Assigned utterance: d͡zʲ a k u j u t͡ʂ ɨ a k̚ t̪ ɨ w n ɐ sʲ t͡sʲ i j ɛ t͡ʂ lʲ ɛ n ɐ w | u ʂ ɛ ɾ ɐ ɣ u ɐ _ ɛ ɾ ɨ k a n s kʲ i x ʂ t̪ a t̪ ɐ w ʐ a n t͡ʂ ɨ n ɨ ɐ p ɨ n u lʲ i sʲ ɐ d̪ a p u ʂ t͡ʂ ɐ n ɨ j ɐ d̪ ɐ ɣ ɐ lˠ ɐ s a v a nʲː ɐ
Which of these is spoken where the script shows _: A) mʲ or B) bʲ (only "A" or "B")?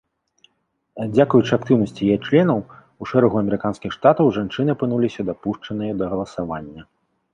A